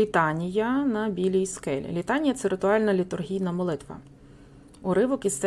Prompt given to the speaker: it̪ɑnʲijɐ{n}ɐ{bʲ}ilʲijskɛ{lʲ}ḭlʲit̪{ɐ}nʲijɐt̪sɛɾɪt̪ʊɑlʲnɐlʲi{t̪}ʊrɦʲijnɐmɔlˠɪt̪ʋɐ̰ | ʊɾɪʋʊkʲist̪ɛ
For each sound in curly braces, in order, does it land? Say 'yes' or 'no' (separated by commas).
yes, yes, yes, no, yes